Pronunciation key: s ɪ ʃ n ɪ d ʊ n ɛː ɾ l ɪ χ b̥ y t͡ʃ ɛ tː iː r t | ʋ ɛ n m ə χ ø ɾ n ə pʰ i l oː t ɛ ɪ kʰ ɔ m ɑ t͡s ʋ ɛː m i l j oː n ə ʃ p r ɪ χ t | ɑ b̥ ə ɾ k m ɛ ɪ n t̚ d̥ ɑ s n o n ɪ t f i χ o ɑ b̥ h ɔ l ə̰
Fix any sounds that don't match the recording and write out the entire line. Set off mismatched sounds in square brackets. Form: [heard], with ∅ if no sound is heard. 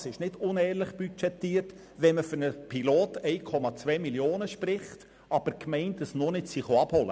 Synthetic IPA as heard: s ɪ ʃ n ɪ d ʊ n ɛː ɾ l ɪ χ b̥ y t͡ʃ ɛ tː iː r t | ʋ ɛ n m ə [f] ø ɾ n ə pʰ i l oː t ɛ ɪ kʰ ɔ m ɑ t͡s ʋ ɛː m i l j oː n ə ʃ p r ɪ χ t | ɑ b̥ ə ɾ k m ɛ ɪ n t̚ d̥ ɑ s n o n ɪ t [s] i χ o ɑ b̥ h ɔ l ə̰

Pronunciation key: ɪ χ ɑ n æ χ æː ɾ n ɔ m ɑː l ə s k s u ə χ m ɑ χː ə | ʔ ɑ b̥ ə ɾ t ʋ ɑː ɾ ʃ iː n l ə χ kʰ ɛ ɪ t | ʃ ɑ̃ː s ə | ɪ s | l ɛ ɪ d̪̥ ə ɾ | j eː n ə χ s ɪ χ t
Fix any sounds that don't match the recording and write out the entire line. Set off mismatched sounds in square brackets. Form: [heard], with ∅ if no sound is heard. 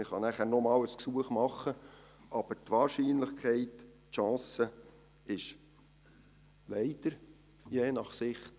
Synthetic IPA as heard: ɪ χ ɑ n æ χ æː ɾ n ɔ m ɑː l ə s k s u ə χ m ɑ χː ə | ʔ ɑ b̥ ə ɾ t ʋ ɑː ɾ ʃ iː n l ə χ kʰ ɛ ɪ t | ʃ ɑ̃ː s ə | ɪ [ʃ] | l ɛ ɪ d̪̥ ə ɾ | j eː n [ɑ] χ s ɪ χ t

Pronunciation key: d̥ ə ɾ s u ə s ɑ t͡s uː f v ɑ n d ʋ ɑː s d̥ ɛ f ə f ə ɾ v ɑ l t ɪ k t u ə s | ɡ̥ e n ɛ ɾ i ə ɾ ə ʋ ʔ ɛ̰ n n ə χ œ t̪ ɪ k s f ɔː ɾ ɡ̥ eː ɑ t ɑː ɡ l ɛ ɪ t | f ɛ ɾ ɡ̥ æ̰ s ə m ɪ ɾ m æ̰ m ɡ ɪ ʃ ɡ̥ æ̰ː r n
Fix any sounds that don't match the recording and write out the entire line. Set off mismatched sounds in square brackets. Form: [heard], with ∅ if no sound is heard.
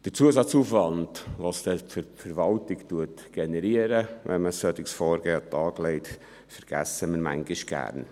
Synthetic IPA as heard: d̥ ə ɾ [t͡s] u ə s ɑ t͡s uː f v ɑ n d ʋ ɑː s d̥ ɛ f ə f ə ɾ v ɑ l t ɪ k t u ə [t] | ɡ̥ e n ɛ ɾ i ə ɾ ə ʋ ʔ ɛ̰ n [m] ə [s] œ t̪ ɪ k s f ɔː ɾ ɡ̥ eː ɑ t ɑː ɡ l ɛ ɪ t | f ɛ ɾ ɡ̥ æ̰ s ə m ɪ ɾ m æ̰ [ŋ] ɡ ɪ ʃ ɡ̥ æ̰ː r n

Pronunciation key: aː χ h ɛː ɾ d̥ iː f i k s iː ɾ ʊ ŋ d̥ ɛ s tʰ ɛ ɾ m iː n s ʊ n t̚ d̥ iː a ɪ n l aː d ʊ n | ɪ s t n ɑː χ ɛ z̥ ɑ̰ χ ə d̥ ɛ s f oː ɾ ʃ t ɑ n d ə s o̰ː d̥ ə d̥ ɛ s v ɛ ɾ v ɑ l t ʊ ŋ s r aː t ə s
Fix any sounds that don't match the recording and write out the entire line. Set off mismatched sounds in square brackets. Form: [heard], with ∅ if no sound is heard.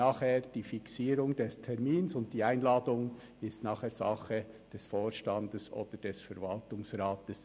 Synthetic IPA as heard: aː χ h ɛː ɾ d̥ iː f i k s iː ɾ ʊ ŋ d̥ ɛ s tʰ ɛ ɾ m iː n s ʊ n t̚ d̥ iː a ɪ n l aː d ʊ [ŋ] | ɪ s t n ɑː χ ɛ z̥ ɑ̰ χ ə d̥ ɛ s f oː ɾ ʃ t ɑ n d ə s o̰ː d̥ ə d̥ ɛ s [f] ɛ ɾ v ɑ l t ʊ ŋ s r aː t ə s

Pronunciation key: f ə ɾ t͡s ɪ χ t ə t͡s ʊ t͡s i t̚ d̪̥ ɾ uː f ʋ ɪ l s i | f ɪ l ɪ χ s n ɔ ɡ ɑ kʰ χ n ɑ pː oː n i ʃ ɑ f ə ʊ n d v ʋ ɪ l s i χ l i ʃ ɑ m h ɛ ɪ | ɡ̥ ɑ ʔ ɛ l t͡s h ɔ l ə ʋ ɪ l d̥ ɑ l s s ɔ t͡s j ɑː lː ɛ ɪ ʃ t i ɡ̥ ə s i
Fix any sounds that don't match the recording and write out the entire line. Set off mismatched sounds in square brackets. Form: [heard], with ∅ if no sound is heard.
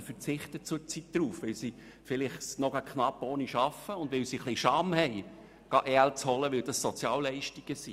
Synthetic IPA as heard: f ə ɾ t͡s ɪ χ t ə t͡s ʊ t͡s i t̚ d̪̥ ɾ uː f ʋ ɪ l s i | f ɪ l ɪ χ s n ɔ ɡ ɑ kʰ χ n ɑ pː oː n i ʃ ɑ f ə ʊ n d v ʋ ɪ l s i χ l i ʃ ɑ m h ɛ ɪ | ɡ̥ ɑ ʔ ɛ l t͡s h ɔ l ə ʋ ɪ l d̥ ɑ [∅] s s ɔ t͡s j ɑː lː ɛ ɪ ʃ t i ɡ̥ ə s i

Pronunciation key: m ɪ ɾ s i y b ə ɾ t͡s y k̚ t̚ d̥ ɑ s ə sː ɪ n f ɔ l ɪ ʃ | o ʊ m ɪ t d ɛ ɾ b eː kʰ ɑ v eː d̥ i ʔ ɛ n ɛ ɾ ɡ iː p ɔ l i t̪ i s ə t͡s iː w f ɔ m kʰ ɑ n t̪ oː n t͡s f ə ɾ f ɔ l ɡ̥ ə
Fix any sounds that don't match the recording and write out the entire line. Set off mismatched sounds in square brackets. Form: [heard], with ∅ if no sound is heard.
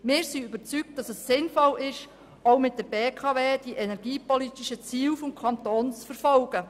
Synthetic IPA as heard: m [ɪː] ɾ s i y b ə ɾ t͡s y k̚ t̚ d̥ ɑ s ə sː ɪ n f ɔ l ɪ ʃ | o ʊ m ɪ t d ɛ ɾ b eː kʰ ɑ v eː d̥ i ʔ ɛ n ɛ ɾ ɡ iː p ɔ l i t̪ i [ʃ] ə t͡s iː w f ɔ m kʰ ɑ n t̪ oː n t͡s f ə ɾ f ɔ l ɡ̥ ə

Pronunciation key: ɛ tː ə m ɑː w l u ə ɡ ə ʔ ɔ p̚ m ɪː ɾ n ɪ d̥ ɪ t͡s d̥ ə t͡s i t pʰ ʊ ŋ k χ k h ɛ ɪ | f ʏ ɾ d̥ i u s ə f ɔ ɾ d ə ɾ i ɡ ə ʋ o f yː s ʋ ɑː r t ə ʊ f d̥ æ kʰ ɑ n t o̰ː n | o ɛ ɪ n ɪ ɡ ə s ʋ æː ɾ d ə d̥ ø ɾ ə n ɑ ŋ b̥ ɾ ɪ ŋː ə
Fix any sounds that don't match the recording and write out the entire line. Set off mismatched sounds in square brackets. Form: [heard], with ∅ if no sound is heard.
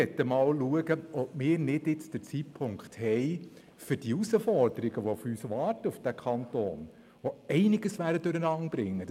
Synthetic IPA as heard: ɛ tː ə m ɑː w l u ə ɡ ə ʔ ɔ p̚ m ɪː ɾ n ɪ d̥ ɪ t͡s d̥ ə t͡s i t pʰ ʊ ŋ k χ [t] h ɛ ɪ | f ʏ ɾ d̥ i u s ə f ɔ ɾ d ə ɾ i ɡ ə ʋ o f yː s ʋ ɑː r t ə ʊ f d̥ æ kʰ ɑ n t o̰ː n | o ɛ ɪ n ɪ ɡ ə s ʋ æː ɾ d ə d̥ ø ɾ ə n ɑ ŋ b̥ ɾ ɪ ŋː ə

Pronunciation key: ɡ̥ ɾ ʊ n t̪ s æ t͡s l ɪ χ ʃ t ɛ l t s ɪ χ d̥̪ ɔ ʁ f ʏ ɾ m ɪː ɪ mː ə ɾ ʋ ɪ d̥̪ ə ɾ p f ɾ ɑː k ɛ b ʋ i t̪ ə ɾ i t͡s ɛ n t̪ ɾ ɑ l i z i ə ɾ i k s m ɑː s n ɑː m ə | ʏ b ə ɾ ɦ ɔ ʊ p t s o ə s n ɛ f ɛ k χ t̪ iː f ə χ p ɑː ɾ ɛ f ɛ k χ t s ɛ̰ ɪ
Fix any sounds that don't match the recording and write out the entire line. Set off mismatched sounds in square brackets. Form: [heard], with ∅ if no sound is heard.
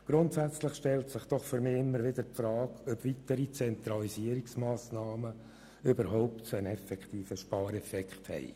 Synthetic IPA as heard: ɡ̥ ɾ ʊ n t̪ s æ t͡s l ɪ χ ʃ t ɛ l t s ɪ χ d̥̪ ɔ [χ] f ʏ ɾ m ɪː ɪ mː ə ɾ ʋ ɪ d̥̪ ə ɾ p f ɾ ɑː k [œ] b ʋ i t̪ ə ɾ i t͡s ɛ n t̪ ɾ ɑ l i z i ə ɾ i k s m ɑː s n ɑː m ə | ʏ b ə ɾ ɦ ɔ ʊ p t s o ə [∅] n ɛ f ɛ k χ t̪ iː f ə [ʃ] p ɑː ɾ ɛ f ɛ k χ t [h] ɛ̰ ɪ

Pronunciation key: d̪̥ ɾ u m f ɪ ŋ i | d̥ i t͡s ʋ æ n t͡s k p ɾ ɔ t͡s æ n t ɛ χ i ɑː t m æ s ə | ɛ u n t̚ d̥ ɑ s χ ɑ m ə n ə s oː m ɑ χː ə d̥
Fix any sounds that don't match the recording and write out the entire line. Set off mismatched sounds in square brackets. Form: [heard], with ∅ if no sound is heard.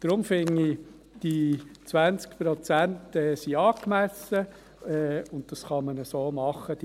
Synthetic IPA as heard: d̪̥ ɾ [ʊ] m f ɪ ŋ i | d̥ i t͡s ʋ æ n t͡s k p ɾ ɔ t͡s æ n t ɛ [s] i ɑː [k] m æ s ə | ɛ [ʊ] n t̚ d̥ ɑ s χ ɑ m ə n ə s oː m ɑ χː ə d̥

